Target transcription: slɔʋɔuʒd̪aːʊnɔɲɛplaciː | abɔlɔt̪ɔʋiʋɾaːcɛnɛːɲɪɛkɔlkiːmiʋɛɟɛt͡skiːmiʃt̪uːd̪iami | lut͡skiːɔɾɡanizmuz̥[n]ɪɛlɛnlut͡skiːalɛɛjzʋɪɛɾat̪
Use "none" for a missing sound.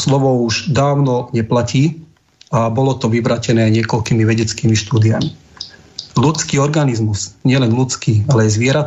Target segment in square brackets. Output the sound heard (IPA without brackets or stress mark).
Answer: ɲ